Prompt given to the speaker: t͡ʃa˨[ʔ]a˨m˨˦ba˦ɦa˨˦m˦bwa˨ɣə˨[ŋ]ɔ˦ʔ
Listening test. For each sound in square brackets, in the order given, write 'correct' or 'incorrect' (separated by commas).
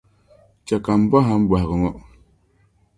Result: incorrect, correct